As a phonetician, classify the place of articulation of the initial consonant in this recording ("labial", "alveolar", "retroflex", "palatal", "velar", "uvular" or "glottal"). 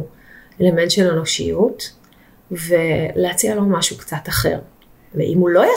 alveolar